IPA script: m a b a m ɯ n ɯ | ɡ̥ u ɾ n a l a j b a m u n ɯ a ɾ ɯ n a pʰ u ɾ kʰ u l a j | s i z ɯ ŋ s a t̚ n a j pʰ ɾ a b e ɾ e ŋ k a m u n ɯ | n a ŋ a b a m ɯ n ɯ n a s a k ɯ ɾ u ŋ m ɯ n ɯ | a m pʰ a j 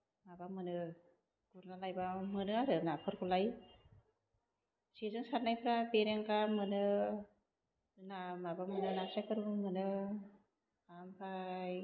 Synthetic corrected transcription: m a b a m ɯ n ɯ | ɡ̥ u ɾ n a l a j b a m ɯ n ɯ a ɾ ɯ n a pʰ ɯ ɾ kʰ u l a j | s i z ɯ ŋ s a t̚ n a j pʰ ɾ a b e ɾ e ŋ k a m ɯ n ɯ | n a m a b a m ɯ n ɯ n a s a k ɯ ɾ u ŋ m ɯ n ɯ | a m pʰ a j